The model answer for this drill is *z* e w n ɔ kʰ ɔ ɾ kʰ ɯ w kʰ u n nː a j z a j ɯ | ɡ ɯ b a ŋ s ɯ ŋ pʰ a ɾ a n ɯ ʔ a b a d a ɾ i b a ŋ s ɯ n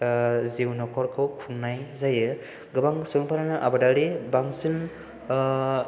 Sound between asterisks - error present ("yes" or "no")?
no